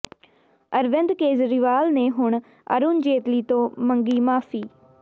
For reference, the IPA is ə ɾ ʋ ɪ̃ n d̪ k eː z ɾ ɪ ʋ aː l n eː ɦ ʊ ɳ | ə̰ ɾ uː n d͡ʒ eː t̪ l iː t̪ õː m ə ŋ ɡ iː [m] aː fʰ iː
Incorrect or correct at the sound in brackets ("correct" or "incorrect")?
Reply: correct